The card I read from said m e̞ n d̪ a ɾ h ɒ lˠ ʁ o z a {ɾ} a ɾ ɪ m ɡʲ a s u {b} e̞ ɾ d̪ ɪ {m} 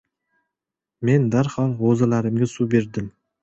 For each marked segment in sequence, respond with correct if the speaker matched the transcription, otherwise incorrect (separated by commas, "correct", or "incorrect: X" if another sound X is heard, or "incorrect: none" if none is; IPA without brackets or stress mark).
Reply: incorrect: l, correct, correct